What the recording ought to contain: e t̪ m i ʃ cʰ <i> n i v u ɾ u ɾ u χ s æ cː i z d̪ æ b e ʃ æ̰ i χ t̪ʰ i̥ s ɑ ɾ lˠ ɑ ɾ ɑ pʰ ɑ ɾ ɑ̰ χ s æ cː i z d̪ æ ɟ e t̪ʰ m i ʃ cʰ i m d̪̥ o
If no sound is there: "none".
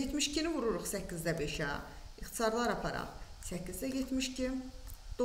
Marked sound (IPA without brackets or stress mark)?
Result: i